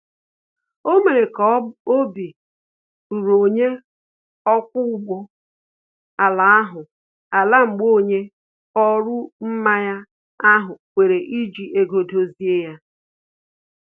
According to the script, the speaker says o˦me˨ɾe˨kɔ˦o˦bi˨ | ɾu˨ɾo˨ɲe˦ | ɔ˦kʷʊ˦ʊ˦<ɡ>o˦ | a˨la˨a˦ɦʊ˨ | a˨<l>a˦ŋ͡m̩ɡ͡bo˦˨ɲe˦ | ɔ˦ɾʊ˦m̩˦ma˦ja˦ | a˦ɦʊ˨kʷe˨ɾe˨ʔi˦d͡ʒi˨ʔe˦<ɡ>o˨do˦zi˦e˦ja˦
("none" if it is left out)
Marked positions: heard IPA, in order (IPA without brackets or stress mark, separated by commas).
ɡ͡b, l, ɡ